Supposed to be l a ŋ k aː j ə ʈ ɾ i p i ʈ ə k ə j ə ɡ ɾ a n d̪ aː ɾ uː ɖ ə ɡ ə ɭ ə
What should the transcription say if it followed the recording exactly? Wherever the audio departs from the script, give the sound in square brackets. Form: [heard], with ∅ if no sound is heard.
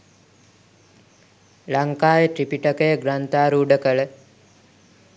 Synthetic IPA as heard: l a ŋ k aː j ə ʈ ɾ i p i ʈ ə k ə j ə ɡ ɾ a n [t̪] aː ɾ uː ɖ ə [k] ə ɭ ə